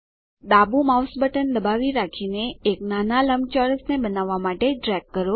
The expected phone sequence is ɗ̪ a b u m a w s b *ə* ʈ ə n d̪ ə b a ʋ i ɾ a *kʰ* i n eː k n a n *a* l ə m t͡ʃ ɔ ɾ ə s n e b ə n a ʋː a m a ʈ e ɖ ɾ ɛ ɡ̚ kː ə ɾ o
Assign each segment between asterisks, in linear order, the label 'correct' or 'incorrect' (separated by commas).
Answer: correct, correct, correct